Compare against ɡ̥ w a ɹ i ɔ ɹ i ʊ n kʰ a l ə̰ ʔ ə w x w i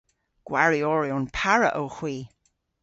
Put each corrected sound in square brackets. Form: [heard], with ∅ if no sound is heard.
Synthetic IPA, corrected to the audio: ɡ̥ w a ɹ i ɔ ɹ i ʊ n [pʰ] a [ɹ] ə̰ ʔ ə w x w [iː]

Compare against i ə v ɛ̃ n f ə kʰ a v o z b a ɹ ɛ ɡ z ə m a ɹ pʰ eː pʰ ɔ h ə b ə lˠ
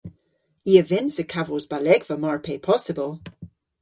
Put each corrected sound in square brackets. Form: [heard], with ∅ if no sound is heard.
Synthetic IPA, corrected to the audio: i ə v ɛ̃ n [s] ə kʰ a v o z b a [l] ɛ ɡ [v] ə m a ɹ pʰ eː pʰ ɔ [s] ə b ə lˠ

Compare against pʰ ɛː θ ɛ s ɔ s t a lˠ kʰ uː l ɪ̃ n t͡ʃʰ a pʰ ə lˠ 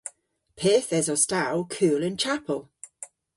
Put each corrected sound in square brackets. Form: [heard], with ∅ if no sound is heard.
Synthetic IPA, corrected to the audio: pʰ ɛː θ ɛ [z] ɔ s t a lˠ kʰ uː l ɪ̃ n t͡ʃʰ a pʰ ə lˠ

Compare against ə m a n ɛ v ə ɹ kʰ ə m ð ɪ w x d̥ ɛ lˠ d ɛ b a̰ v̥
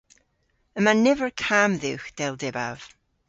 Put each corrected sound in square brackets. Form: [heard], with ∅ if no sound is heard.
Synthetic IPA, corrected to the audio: ə m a n ɛ v ə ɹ kʰ [a] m ð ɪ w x d̥ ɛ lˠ d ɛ b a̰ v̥

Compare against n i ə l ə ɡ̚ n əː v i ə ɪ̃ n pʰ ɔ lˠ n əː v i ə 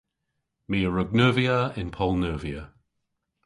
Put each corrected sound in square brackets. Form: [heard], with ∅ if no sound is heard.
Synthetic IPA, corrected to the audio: [m] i ə [ɹ] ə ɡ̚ n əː v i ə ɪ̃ n pʰ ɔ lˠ n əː v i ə

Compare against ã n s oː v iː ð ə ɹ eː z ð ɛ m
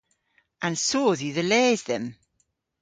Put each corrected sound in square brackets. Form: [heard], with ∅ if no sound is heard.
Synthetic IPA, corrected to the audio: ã n s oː [ð] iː ð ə [l] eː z ð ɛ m

